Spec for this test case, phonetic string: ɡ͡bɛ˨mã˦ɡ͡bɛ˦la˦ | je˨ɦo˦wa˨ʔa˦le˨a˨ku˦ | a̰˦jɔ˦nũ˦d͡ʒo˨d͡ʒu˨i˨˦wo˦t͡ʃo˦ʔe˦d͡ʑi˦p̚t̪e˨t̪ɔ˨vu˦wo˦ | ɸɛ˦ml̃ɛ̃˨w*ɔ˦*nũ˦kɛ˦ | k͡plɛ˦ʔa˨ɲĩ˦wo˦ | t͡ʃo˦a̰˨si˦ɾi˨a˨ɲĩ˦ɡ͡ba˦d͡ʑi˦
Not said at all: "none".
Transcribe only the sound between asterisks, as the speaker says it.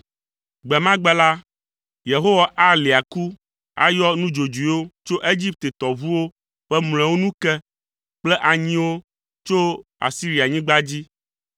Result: o˦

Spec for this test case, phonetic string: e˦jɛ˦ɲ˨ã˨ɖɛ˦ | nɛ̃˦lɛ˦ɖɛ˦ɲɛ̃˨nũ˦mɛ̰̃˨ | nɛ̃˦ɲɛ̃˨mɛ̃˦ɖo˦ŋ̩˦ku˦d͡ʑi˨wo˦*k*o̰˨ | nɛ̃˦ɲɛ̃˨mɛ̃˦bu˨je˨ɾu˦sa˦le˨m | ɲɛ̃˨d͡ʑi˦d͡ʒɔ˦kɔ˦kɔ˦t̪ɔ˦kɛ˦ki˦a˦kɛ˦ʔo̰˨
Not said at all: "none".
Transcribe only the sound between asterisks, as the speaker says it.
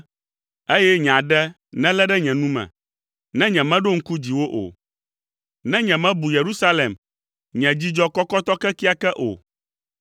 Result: ʔ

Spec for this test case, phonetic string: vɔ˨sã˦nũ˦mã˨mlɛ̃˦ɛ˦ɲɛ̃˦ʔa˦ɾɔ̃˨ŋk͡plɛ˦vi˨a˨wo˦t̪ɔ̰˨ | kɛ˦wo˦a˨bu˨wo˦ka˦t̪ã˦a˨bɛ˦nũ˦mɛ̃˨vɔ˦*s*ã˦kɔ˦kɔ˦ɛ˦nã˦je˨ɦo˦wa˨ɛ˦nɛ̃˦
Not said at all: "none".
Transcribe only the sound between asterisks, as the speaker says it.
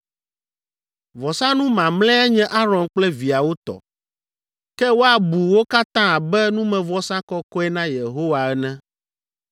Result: s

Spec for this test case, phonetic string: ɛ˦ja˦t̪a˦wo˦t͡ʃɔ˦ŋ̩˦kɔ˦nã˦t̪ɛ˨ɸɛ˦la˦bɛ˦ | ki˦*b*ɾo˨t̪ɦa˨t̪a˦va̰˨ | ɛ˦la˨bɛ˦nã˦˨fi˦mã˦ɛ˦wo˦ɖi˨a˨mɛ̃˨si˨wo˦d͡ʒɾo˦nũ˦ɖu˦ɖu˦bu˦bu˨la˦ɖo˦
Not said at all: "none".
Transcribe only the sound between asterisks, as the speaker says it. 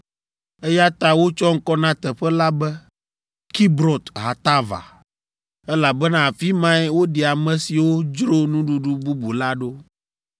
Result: b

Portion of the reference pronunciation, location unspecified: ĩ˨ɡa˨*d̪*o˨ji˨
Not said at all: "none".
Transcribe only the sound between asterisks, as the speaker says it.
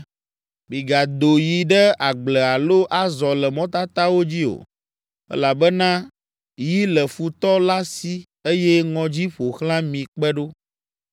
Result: d̪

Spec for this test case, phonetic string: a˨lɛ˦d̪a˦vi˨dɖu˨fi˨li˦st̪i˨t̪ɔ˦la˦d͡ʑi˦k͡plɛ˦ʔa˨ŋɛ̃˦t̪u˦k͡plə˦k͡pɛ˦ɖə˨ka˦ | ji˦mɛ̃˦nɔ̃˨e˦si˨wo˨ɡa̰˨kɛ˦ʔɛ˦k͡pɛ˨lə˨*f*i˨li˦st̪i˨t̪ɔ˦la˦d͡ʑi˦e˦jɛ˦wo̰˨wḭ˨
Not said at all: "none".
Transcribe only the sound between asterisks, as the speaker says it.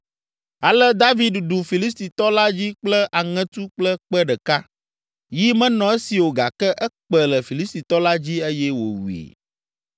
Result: f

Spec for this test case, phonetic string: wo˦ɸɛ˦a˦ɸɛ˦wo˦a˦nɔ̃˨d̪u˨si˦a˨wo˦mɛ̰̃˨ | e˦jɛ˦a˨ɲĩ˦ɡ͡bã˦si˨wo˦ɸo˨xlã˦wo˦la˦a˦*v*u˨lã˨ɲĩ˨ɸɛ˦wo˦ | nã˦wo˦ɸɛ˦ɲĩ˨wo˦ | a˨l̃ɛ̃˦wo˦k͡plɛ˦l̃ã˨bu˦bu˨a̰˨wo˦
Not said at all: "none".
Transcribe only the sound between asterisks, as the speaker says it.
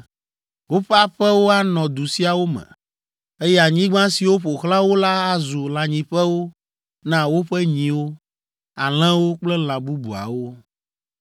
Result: z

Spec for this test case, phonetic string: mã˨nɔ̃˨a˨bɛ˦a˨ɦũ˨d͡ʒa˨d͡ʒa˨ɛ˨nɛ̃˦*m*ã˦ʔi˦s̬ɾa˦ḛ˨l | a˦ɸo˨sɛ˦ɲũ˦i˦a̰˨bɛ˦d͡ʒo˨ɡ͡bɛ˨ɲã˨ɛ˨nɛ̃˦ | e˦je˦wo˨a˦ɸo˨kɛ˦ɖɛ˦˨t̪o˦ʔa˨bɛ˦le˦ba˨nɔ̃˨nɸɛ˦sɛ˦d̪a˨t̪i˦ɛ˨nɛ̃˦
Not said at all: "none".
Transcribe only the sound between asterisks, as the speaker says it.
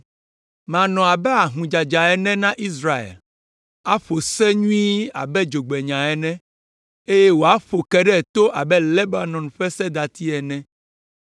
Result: n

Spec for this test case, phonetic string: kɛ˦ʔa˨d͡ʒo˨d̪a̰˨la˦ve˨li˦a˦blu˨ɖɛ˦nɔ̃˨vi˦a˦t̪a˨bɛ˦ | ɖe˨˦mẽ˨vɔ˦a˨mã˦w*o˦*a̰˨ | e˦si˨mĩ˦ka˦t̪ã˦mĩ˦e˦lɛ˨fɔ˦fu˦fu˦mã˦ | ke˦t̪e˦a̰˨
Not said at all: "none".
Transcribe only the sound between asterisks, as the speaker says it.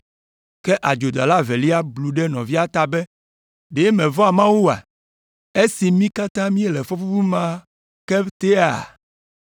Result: u˦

